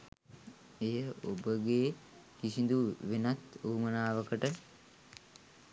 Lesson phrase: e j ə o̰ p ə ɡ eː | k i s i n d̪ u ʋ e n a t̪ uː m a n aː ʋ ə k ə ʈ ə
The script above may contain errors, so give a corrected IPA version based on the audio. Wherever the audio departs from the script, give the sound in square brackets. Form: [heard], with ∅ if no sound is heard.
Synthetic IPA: e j ə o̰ [b] ə ɡ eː | k i s i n d̪ u ʋ e n a t̪ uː m [ə] n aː ʋ ə k ə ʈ ə